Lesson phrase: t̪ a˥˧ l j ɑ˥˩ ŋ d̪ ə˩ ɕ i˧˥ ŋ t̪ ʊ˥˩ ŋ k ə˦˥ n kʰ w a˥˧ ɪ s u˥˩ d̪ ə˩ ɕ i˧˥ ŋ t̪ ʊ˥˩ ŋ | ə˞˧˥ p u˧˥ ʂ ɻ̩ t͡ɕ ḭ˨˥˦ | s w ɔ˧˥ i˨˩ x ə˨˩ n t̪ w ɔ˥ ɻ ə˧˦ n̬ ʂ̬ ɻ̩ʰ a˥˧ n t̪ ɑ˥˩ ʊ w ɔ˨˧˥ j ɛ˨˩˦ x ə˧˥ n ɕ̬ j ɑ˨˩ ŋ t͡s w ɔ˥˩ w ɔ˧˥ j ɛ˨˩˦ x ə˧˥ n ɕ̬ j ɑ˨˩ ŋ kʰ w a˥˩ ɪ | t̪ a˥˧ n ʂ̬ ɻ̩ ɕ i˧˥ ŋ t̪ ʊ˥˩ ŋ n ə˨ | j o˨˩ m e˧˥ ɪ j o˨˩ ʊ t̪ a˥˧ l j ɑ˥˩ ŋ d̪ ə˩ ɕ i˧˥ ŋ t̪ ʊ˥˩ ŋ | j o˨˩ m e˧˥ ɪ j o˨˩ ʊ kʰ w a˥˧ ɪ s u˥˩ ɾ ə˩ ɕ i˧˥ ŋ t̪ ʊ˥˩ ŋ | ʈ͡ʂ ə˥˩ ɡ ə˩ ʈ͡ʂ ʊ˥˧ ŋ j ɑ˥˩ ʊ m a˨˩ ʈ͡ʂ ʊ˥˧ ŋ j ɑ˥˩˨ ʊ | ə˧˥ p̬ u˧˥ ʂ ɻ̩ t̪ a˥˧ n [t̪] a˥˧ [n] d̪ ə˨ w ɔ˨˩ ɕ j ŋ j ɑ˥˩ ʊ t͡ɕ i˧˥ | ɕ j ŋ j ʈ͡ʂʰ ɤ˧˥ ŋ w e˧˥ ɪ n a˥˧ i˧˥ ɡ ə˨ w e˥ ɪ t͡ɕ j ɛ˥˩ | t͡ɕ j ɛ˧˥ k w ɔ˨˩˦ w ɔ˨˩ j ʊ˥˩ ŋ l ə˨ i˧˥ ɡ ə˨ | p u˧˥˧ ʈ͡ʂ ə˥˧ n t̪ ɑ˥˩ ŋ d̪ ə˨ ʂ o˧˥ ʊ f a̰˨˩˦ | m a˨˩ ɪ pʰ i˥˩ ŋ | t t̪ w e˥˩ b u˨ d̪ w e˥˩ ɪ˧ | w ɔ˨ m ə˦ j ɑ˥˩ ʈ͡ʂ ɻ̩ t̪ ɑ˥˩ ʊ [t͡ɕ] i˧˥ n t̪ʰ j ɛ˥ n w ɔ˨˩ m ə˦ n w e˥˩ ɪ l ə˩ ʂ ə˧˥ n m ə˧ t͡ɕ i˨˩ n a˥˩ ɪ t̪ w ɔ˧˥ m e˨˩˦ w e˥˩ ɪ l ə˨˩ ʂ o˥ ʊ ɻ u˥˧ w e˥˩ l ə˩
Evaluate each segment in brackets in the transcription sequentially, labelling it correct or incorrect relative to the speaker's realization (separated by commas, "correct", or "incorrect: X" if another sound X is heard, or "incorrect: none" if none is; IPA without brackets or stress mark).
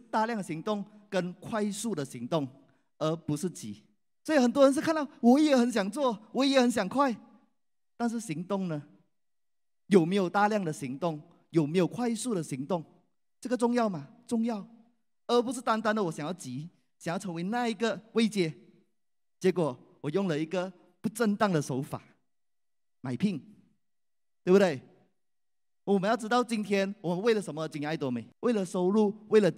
correct, correct, correct